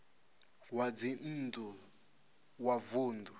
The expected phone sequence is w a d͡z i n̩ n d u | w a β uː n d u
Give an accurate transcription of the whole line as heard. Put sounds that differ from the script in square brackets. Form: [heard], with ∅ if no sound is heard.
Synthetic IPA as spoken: w a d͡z i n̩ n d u | w a [v] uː n d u